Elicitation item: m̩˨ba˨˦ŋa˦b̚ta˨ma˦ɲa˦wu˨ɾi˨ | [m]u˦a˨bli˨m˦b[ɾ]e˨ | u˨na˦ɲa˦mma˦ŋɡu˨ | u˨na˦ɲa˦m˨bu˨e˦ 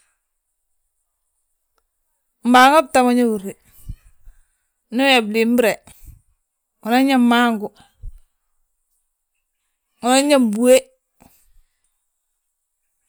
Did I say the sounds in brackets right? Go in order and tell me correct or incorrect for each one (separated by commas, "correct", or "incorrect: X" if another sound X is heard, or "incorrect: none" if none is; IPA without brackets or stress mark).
incorrect: n, correct